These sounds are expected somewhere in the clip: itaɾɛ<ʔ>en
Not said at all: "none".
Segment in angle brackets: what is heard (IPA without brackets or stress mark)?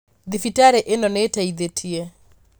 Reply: ʔ